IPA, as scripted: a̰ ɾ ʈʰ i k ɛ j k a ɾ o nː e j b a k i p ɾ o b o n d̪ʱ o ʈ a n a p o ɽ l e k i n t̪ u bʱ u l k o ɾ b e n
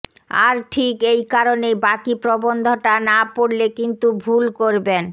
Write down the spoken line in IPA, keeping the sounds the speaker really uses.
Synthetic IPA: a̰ ɾ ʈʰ i k e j k a ɾ o n e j b a k i p ɾ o b o n d̪ʱ o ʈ a n a p o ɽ l e k i n t̪ u bʱ u l k o ɾ b e n